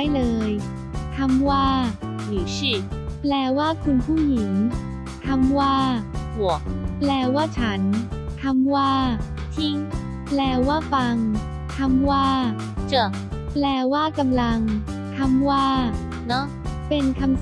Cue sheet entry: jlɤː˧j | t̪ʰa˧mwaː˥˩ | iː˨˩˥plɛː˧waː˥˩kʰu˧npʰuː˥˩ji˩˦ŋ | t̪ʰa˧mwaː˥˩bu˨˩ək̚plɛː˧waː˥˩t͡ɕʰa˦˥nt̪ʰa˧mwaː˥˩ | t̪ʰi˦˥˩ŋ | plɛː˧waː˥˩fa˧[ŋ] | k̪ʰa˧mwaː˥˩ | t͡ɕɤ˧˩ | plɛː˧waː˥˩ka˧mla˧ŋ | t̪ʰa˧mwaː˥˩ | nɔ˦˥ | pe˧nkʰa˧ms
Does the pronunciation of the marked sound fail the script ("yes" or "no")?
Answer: no